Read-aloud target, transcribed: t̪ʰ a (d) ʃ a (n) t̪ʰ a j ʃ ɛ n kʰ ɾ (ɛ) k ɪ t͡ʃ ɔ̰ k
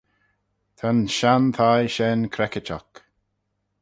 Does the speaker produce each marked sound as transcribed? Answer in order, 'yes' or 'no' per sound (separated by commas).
no, yes, yes